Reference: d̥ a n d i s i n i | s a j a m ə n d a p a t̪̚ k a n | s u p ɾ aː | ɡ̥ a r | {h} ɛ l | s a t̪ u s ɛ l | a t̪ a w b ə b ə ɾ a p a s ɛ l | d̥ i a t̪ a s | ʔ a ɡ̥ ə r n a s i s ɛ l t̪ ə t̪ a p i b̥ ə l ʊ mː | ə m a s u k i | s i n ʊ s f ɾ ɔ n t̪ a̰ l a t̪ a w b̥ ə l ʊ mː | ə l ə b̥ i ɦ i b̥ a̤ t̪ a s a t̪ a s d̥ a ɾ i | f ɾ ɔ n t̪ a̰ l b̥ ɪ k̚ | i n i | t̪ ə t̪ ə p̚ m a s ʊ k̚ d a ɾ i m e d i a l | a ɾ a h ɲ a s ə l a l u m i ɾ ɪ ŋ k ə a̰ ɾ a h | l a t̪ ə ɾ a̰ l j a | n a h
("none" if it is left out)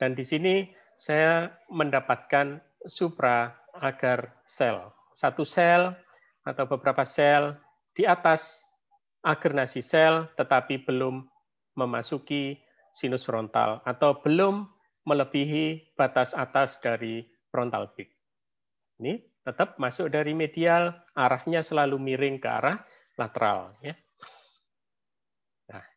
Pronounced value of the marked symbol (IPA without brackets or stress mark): s